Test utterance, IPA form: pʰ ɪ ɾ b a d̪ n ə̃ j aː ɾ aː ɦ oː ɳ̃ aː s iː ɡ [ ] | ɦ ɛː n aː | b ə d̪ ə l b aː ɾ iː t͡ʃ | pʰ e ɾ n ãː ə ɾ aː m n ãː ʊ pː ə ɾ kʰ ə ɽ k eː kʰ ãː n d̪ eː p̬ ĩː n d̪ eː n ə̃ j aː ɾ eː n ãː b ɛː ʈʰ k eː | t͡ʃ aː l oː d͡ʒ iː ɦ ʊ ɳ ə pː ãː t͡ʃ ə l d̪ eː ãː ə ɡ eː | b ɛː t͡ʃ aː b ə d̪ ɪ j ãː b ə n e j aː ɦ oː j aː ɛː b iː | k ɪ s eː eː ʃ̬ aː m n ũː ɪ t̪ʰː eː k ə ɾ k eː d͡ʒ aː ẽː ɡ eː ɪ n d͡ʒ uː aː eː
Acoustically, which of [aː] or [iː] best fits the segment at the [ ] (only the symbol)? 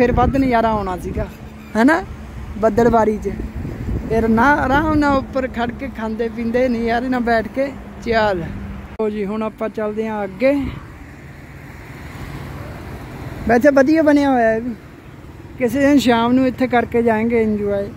aː